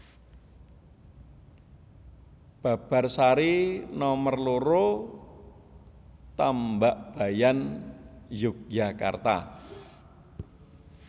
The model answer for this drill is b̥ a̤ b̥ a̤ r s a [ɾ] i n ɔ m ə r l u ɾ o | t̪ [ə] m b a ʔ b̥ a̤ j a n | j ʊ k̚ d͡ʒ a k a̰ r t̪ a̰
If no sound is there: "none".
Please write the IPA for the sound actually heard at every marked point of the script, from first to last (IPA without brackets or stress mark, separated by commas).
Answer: ɾ, a